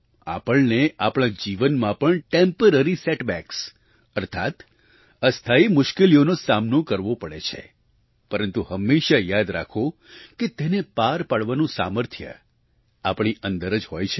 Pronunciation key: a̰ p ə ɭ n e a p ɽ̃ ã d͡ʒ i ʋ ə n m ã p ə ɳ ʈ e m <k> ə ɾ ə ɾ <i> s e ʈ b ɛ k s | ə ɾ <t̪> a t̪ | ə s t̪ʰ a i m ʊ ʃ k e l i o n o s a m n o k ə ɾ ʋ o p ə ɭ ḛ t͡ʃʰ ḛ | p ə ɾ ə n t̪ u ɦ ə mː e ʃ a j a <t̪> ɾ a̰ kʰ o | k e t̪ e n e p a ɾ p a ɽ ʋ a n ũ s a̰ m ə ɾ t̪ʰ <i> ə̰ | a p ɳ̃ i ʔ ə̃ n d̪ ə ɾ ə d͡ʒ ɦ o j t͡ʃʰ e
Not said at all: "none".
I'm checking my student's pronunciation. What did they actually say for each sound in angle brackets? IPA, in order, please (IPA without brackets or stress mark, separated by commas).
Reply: p, i, t̪ʰ, d̪, j